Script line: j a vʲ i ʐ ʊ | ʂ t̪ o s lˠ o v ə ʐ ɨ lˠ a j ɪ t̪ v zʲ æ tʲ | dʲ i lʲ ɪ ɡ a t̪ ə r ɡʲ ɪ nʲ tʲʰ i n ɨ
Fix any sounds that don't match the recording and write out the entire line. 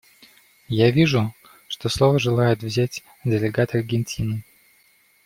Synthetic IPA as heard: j a vʲ i ʐ ʊ | ʂ t̪ o s lˠ o v ə ʐ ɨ lˠ a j ɪ t̪ v zʲ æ tʲ | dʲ ɪ lʲ ɪ ɡ a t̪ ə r ɡʲ ɪ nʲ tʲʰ i n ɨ